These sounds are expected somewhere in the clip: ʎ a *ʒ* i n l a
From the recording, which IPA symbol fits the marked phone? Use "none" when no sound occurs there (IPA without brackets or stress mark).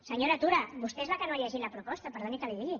ʒ